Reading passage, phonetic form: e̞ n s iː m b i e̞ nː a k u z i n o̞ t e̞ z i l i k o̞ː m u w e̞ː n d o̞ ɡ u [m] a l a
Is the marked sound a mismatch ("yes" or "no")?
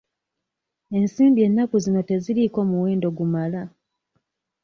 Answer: no